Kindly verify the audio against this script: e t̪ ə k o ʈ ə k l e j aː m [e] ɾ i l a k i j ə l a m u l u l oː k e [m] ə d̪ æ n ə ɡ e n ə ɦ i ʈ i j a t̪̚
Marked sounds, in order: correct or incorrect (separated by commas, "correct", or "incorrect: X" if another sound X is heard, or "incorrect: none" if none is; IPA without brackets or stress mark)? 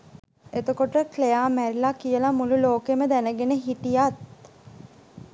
incorrect: æ, correct